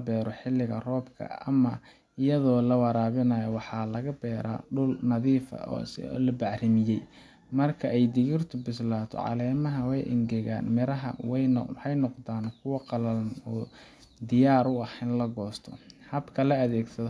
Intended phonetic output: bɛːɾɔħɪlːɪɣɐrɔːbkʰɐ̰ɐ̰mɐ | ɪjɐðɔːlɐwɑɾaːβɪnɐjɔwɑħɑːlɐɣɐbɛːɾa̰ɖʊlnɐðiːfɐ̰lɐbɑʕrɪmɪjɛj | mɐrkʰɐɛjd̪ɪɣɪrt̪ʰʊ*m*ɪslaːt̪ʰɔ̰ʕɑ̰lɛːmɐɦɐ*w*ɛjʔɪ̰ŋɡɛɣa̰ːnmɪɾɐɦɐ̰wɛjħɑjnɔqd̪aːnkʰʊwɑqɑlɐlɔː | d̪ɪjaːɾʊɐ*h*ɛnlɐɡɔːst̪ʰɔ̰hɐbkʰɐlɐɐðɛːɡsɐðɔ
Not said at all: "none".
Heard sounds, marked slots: b, w, h

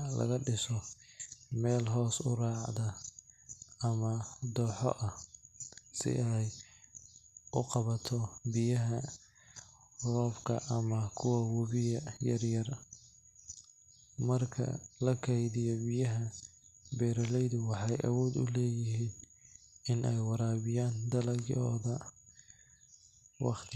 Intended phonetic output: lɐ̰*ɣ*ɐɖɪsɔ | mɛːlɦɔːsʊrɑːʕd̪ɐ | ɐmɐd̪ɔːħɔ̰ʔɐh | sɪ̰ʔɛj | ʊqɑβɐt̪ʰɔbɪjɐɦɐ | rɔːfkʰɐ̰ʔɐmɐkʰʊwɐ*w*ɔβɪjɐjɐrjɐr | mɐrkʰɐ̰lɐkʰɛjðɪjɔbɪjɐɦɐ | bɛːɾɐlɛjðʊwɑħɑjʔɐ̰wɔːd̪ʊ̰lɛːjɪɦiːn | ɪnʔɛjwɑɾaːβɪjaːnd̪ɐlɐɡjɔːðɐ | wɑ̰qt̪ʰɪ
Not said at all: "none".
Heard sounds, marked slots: ɣ, w

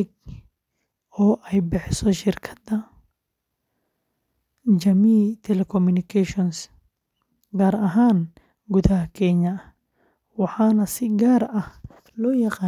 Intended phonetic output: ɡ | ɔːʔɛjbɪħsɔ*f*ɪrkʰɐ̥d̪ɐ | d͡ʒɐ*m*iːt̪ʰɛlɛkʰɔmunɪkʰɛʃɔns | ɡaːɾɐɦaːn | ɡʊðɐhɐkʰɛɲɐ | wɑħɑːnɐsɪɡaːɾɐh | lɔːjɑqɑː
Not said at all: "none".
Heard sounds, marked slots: ʃ, m

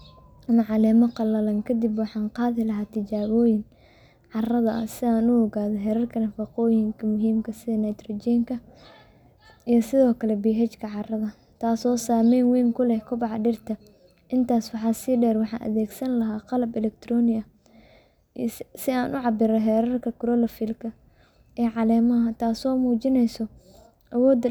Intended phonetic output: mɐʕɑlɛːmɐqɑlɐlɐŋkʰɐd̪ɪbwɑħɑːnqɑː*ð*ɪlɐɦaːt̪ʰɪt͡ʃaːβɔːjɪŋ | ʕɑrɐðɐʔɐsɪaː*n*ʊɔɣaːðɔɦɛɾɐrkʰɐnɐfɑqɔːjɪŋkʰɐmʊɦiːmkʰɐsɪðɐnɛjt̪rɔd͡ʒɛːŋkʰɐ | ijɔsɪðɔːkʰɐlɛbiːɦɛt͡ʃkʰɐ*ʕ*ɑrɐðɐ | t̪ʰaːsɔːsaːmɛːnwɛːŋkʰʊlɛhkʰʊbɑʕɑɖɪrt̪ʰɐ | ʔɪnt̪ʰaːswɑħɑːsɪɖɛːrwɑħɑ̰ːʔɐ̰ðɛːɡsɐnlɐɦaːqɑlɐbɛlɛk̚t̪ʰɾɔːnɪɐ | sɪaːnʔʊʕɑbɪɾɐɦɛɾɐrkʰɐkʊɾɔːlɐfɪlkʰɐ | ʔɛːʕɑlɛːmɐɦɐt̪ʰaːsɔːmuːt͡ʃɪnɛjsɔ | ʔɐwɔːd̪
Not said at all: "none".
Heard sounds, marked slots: ð, n, ʕ

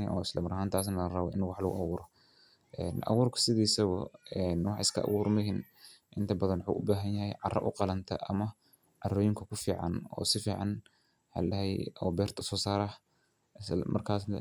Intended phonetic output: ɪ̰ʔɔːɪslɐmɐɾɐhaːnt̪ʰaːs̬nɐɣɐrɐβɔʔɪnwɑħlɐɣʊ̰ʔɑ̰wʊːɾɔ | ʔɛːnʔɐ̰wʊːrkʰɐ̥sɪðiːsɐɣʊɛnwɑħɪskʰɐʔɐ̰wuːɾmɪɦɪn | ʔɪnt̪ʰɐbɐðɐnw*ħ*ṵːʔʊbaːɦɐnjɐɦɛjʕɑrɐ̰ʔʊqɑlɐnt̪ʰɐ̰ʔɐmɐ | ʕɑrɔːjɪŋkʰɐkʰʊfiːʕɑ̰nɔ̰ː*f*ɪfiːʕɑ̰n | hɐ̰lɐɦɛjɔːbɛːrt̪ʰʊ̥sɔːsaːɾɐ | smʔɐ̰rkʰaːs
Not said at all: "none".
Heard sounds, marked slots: ħ, s

